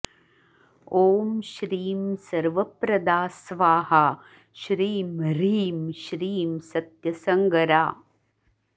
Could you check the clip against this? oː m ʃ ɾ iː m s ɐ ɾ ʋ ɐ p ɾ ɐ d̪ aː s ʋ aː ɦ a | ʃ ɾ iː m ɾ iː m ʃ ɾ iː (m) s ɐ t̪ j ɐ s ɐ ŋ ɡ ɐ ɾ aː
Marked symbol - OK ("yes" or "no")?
yes